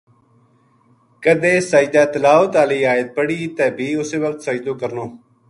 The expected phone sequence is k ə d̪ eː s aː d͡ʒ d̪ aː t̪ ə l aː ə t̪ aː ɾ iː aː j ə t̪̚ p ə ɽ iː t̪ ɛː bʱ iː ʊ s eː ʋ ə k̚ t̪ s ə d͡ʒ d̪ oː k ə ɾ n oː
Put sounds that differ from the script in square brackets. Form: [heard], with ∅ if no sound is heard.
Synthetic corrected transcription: k ə d̪ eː s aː d͡ʒ d̪ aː t̪ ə l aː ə t̪ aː [l] iː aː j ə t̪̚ p ə ɽ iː t̪ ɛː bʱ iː ʊ s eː ʋ ə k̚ t̪ s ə d͡ʒ d̪ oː k ə ɾ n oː

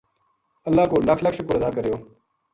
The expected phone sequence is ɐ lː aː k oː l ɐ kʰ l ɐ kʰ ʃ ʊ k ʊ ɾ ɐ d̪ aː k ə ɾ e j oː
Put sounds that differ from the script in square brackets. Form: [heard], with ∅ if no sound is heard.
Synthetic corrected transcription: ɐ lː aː k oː l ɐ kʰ l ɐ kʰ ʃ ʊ k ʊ ɾ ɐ d̪ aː k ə ɾ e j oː

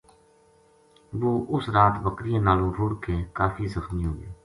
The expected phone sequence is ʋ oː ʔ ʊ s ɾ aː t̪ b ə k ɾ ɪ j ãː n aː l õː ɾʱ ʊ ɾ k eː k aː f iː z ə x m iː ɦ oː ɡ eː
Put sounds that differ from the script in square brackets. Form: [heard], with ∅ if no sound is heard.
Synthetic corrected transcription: ʋ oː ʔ ʊ s ɾ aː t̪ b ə k ɾ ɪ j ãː n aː l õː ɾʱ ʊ [ɽ] k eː k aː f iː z ə x m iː ɦ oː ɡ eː

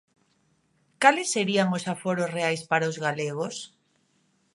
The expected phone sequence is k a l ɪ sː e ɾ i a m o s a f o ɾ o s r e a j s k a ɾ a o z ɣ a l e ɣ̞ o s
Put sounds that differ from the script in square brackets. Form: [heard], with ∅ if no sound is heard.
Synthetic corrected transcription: k a l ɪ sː e ɾ i a [ŋ] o s a f o ɾ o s r e a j s [p] a ɾ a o z ɣ a l e ɣ̞ o s

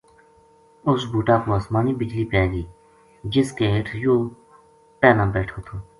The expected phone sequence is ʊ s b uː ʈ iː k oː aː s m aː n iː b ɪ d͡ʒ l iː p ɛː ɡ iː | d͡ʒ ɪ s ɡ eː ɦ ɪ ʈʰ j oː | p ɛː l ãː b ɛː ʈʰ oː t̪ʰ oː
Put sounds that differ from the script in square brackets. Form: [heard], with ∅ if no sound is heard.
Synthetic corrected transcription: ʊ s b uː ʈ [aː] k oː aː s m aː n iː b ɪ d͡ʒ l iː p ɛː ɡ iː | d͡ʒ ɪ s [k] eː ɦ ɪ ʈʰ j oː | p ɛː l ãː b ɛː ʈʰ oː t̪ʰ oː

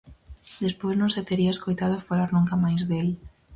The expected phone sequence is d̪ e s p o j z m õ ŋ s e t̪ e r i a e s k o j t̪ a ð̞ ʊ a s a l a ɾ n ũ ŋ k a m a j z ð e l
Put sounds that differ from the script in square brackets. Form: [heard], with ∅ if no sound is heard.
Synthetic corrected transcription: d̪ e s p o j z [n] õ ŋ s e t̪ e [ɾ] i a e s k o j t̪ a ð̞ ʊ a [f] a l a ɾ n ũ ŋ k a m a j z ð e l

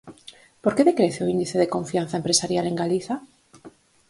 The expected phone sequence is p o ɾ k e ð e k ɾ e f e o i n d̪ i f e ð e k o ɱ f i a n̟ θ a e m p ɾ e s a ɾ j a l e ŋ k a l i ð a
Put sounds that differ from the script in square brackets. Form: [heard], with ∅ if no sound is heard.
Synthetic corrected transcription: p o ɾ k e ð e k ɾ e [θ] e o i n d̪ i [θ] e ð e k o ɱ f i a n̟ θ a e m p ɾ e s a ɾ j a l e ŋ [ɡ] a l i [θ] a

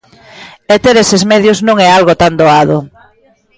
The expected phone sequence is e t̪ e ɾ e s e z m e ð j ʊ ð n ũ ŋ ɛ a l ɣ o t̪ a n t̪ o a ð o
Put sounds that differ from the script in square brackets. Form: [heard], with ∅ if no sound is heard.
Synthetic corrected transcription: e t̪ e ɾ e s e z m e ð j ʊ [z] n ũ ŋ ɛ a l ɣ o t̪ a n [d̪] o a ð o

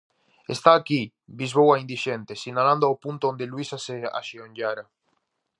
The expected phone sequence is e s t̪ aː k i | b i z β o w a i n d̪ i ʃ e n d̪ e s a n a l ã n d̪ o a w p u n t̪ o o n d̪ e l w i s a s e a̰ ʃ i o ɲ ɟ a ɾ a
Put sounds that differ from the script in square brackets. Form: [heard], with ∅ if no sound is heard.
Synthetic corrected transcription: e s t̪ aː k i | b i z β o w a i n d̪ i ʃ e n [t̪] e s [i] n a l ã n d̪ o a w p u n t̪ o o n d̪ e l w i s a s e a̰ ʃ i o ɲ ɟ a ɾ a

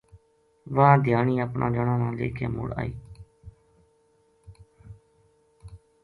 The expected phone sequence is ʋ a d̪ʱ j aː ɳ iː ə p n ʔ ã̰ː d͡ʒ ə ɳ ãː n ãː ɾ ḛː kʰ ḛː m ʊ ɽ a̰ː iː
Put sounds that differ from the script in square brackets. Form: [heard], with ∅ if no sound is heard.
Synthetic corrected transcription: ʋ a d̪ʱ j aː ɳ iː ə p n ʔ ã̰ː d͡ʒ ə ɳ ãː n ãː [l] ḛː kʰ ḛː m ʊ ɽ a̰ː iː

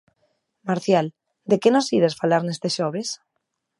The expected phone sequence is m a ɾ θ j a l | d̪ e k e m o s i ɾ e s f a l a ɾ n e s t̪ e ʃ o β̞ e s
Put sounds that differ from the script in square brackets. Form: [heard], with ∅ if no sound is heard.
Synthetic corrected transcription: m a ɾ θ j a l | d̪ e k e [n] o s i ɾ e s f a l a ɾ n e s t̪ e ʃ o β̞ e s

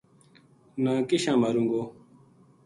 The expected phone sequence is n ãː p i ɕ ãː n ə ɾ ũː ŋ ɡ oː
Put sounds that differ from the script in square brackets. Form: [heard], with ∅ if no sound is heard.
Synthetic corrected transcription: n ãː [k] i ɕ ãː [m] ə ɾ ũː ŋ ɡ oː

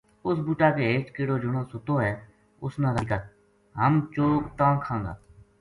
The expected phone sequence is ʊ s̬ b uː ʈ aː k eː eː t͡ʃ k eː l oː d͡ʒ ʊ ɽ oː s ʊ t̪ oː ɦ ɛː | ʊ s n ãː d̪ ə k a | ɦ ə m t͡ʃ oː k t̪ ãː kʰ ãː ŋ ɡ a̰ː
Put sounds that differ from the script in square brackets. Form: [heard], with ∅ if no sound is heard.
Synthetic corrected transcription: ʊ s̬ b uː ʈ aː k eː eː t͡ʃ k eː [ɽ] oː d͡ʒ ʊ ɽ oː s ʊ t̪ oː ɦ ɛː | ʊ s n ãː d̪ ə k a | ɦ ə m t͡ʃ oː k t̪ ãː kʰ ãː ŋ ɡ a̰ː

